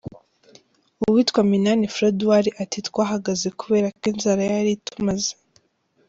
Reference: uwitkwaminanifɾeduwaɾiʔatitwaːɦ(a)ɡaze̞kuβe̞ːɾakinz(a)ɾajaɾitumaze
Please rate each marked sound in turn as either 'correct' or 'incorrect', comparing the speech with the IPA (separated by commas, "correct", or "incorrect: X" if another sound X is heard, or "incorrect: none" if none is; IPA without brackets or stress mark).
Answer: correct, correct